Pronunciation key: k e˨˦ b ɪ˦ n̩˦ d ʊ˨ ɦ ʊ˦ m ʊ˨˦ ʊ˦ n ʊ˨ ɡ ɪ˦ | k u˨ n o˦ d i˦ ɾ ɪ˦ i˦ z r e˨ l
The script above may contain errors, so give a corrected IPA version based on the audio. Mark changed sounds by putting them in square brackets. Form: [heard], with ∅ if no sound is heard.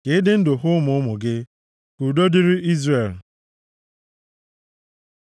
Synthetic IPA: k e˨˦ [d] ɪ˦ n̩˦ d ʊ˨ ɦ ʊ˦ m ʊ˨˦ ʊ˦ [m] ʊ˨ ɡ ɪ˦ | k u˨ [d] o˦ d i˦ ɾ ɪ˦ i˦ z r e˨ l